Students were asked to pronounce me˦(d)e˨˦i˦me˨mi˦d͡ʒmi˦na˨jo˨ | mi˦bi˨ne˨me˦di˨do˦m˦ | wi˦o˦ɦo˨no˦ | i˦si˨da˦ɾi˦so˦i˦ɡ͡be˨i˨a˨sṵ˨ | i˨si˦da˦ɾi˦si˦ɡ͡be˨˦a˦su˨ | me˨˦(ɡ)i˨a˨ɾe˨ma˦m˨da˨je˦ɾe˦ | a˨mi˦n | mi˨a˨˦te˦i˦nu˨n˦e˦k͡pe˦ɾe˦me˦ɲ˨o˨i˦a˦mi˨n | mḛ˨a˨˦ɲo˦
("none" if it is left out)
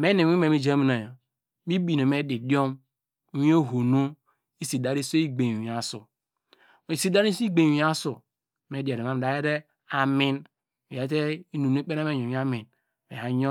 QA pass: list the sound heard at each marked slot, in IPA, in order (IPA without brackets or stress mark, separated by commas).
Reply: n, d